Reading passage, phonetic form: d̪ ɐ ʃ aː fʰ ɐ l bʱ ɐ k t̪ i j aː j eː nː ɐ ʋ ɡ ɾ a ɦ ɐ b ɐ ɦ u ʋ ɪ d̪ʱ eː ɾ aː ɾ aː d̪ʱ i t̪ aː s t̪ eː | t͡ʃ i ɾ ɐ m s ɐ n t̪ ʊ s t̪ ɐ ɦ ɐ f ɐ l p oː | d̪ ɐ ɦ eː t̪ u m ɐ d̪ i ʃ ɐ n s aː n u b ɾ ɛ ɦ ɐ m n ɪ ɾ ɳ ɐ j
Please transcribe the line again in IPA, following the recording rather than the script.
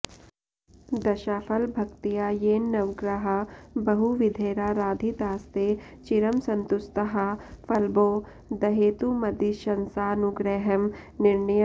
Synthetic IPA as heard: d̪ ɐ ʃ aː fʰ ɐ l bʱ ɐ k t̪ i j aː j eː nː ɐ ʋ ɡ ɾ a ɦ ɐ b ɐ ɦ u ʋ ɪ d̪ʱ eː ɾ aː ɾ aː d̪ʱ i t̪ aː s t̪ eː | t͡ʃ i ɾ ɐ m s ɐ n t̪ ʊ s t̪ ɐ ɦ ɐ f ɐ l b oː | d̪ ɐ ɦ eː t̪ u m ɐ d̪ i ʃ ɐ n s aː n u ɡ ɾ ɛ ɦ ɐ m n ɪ ɾ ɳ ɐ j